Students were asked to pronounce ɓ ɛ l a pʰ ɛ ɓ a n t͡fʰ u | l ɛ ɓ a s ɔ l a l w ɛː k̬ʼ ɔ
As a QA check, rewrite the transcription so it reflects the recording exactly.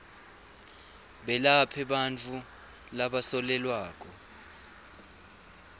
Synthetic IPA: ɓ ɛ l a pʰ ɛ ɓ a n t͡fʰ u | l a ɓ a s ɔ l ɛ l w aː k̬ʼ ɔ